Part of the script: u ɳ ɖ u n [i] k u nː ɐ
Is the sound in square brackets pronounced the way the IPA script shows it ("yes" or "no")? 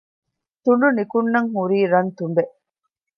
yes